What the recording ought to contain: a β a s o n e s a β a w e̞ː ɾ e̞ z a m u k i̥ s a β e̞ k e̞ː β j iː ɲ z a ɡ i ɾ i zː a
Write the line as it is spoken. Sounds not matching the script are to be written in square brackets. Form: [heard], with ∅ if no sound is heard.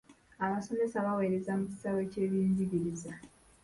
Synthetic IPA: a β a s o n e s a β a w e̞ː ɾ e̞ z a m u [c] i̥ s a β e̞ [c] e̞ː β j iː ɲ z [i] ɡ i ɾ i [z] a